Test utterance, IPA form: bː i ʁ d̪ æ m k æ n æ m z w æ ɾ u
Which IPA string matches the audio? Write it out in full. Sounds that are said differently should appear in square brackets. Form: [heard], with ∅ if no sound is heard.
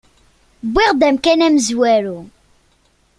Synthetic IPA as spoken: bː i ʁ d̪ æ m k æ n æ m z w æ ɾ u